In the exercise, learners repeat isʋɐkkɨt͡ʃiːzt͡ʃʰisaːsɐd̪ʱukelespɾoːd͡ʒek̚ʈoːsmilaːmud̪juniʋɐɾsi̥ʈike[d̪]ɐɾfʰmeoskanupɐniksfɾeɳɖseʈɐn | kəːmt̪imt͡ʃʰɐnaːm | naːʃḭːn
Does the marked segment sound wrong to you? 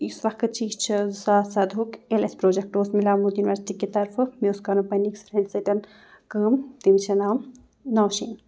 yes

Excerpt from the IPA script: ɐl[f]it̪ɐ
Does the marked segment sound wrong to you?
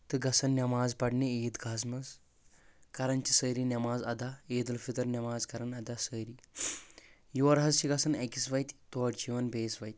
no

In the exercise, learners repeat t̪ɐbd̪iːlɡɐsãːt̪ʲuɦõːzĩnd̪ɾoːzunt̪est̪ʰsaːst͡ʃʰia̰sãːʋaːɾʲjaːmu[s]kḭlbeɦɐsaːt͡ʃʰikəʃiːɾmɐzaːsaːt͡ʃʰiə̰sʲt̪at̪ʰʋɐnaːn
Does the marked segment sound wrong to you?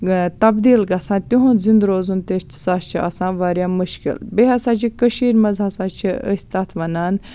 yes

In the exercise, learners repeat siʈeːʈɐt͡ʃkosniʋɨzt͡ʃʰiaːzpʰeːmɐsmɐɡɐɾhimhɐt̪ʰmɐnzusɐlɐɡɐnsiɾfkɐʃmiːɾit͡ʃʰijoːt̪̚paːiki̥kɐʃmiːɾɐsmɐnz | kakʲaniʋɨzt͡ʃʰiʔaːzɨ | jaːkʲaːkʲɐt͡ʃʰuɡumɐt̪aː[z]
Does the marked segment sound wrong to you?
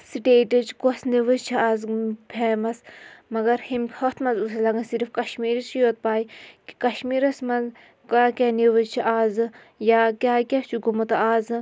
no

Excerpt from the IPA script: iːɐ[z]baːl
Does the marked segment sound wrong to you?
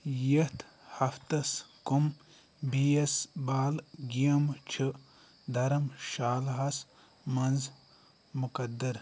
yes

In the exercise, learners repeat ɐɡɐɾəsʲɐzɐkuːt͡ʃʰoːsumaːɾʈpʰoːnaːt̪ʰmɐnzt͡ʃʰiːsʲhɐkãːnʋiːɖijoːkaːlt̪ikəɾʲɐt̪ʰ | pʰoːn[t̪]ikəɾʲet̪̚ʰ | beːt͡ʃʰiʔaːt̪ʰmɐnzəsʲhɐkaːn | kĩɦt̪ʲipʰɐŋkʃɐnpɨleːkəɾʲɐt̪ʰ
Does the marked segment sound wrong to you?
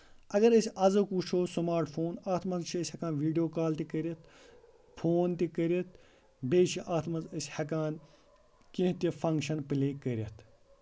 no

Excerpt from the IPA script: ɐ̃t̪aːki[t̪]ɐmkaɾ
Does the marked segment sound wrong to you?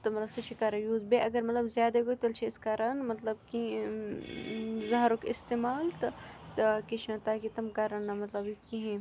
no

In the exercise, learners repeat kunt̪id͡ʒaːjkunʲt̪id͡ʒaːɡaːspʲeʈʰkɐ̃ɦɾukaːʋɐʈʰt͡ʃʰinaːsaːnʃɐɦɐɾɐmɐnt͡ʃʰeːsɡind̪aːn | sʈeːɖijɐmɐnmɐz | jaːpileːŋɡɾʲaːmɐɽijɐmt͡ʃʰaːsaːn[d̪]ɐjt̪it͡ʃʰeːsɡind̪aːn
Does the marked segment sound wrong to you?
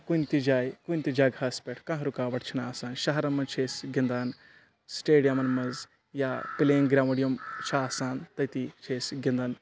yes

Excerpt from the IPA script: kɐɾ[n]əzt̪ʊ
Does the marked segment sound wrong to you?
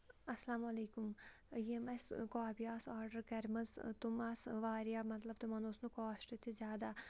yes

